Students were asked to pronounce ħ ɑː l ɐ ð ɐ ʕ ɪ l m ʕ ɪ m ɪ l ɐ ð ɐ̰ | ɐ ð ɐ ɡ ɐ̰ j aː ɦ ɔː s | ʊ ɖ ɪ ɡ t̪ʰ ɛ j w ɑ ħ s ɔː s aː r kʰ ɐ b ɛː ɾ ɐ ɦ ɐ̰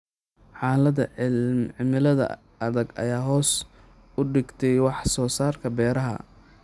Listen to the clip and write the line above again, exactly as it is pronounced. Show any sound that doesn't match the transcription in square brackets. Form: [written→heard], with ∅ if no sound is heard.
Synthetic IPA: ħ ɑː l ɐ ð ɐ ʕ ɪ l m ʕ ɪ m ɪ l ɐ ð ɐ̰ | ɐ ð ɐ ɡ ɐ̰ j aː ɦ ɔː s | ʊ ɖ ɪ ɡ t̪ʰ ɛ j w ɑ ħ s ɔː s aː r kʰ ɐ b ɛː ɾ ɐ ɦ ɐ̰